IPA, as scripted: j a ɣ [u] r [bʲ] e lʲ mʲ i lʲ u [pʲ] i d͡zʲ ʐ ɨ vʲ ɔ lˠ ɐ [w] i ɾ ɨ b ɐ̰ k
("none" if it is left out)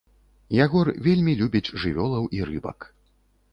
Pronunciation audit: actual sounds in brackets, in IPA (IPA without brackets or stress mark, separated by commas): ɔ, vʲ, bʲ, w